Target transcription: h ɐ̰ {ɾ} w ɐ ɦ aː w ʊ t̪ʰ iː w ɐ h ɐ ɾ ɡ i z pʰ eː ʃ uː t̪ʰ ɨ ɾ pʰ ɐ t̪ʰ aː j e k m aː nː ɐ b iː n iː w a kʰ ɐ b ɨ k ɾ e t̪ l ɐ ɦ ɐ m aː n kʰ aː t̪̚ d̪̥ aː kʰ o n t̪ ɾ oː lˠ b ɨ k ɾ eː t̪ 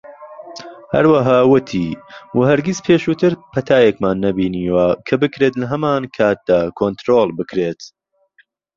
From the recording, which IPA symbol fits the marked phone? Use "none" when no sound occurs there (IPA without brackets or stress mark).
ɾ